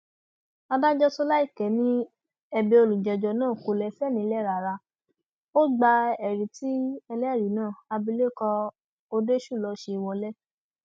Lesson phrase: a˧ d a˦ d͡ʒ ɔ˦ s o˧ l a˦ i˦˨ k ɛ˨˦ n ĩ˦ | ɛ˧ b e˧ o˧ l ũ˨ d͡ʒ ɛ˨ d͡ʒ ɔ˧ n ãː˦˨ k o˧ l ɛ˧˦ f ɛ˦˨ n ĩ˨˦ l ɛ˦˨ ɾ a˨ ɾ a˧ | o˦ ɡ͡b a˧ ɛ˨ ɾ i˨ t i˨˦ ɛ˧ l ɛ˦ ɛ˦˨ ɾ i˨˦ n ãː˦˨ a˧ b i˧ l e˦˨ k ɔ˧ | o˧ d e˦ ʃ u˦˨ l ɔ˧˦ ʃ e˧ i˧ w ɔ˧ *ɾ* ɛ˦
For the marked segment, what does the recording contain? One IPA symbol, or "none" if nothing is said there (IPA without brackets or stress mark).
l